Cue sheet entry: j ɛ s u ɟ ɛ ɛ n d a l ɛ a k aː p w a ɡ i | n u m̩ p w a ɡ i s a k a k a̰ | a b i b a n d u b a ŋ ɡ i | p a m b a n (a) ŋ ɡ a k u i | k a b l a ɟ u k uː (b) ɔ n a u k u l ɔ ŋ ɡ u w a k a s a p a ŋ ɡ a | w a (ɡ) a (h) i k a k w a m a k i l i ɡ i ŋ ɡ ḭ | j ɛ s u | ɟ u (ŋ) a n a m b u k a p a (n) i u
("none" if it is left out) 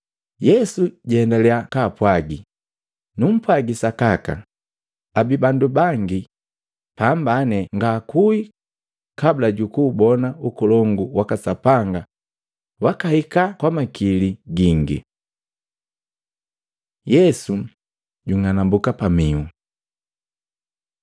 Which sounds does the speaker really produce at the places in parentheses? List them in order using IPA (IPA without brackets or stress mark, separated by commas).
ɛ, b, k, h, ŋ, m